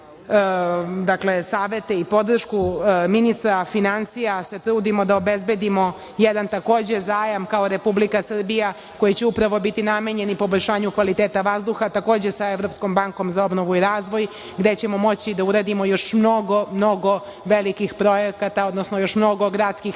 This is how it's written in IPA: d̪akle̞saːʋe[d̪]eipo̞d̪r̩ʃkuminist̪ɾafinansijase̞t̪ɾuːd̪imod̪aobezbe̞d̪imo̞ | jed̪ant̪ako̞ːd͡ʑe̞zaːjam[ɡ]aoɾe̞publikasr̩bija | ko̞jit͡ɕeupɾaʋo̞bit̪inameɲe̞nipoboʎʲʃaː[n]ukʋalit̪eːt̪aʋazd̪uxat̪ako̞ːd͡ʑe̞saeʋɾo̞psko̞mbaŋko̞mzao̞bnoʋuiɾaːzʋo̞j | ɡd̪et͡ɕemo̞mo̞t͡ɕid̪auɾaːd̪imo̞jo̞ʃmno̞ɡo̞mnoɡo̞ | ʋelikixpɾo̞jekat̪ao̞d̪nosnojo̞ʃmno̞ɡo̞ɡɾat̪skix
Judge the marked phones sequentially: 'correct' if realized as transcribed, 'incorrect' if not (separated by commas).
incorrect, incorrect, incorrect